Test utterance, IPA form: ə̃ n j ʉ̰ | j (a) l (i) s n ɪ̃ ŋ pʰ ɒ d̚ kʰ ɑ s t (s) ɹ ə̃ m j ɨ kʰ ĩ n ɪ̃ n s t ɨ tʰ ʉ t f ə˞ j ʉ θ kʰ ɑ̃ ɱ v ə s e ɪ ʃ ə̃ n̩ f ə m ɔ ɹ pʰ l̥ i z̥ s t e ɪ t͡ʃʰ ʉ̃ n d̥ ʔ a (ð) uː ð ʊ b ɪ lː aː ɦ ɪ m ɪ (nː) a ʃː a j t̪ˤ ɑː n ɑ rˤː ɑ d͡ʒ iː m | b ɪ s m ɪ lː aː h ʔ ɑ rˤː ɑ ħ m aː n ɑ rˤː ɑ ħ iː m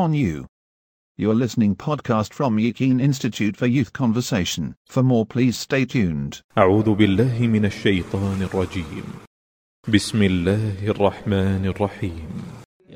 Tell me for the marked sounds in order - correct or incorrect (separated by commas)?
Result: incorrect, incorrect, incorrect, incorrect, incorrect